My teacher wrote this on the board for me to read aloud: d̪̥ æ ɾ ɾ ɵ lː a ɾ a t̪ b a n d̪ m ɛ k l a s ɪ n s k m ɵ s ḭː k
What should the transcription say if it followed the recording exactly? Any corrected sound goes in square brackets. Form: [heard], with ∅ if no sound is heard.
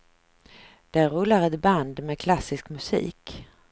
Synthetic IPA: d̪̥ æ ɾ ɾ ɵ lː a ɾ [ɛ] t̪ b a n d̪ m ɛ [kʰ] l a s ɪ [∅] s k m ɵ s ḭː k